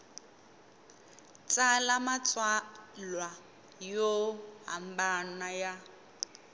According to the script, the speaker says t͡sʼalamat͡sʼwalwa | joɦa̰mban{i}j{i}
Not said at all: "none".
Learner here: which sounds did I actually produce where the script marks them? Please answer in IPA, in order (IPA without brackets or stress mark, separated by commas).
a, a